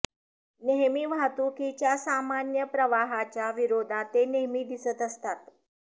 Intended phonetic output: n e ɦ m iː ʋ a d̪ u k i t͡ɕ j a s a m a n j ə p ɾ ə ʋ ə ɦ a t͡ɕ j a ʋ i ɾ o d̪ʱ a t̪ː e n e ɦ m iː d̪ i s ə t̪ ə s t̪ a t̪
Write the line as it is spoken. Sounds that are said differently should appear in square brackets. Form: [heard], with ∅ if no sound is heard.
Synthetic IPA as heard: n e ɦ m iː ʋ a [t̪] u k i t͡ɕ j a s a m a n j ə p ɾ ə ʋ [a] ɦ a t͡ɕ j a ʋ i ɾ o d̪ʱ a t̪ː e n e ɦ m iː d̪ i s ə t̪ ə s t̪ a t̪